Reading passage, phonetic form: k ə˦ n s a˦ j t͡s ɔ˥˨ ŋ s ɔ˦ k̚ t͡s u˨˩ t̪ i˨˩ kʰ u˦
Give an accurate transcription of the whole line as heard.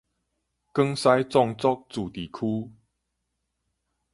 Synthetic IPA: k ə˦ ŋ s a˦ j t͡s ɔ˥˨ ŋ t͡s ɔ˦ k̚ t͡s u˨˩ t̪ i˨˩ kʰ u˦